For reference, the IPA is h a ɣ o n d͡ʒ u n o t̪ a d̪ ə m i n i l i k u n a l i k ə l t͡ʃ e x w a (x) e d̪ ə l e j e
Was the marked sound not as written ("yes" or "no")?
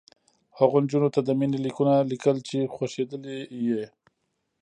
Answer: yes